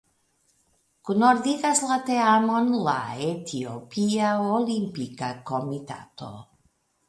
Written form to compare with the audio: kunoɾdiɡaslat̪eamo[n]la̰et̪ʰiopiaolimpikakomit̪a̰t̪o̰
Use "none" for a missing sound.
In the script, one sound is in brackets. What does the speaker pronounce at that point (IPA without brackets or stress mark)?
n